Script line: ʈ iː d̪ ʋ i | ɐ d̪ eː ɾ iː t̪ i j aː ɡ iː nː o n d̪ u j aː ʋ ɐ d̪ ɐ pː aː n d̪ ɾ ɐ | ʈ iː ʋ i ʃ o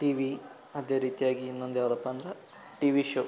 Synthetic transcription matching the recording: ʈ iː ʋ i | ɐ d̪ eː ɾ iː t̪ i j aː ɡ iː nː o n d̪ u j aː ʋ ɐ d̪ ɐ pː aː n d̪ ɾ ɐ | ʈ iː ʋ i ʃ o